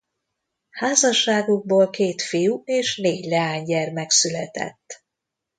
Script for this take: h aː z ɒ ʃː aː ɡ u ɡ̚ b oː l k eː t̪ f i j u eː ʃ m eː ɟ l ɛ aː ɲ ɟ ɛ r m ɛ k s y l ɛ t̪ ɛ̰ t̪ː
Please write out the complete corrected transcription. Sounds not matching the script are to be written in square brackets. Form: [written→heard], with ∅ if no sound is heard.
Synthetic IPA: h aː z ɒ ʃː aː ɡ u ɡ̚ b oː l k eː t̪ f i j u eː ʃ [m→n] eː ɟ l ɛ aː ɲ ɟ ɛ r m ɛ k s y l ɛ t̪ ɛ̰ t̪ː